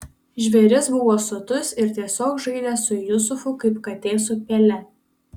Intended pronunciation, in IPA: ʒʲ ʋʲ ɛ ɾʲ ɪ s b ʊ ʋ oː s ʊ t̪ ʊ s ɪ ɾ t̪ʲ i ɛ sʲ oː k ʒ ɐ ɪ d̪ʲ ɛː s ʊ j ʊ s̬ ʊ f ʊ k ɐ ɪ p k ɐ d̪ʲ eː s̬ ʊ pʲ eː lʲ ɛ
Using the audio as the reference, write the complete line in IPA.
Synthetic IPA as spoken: ʒʲ ʋʲ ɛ ɾʲ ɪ s b ʊ ʋ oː s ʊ t̪ ʊ s ɪ ɾ t̪ʲ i ɛ sʲ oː k ʒ ɐ ɪ d̪ʲ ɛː s ʊ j ʊ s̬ ʊ f ʊ k ɐ ɪ p k ɐ t̪ʲ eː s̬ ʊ pʲ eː lʲ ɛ